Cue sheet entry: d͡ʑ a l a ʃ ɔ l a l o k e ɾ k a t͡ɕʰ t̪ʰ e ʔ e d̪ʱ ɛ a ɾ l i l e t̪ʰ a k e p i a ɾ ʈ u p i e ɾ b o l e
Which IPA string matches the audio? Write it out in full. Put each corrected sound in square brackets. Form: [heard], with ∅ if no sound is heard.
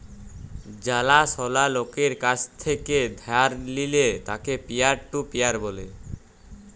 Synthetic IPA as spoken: d͡ʑ a l a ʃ ɔ l a l o k e ɾ k a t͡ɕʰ t̪ʰ e [k] e d̪ʱ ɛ a ɾ l i l e [t̪] a k e p i a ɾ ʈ u p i [a] ɾ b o l e